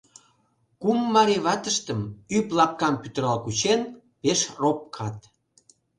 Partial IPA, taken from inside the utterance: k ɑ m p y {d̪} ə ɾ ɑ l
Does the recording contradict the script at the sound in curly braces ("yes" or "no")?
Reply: yes